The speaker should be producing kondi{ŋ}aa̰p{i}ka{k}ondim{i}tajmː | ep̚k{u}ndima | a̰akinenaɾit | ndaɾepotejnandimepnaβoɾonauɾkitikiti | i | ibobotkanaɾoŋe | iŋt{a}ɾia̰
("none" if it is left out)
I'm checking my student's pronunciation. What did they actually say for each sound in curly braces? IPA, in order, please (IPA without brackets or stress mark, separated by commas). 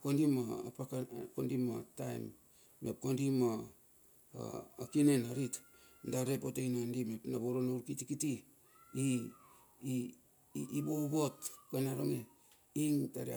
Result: m, a, k, a, o, a